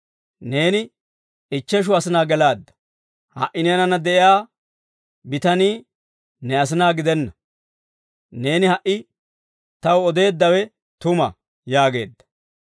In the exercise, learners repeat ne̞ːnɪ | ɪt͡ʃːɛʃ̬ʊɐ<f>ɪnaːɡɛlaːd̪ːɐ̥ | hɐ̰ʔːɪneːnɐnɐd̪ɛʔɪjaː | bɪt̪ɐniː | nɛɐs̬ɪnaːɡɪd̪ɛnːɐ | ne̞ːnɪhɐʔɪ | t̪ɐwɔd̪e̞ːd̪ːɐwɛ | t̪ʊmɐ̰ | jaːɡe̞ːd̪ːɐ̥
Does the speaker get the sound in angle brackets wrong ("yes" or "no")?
yes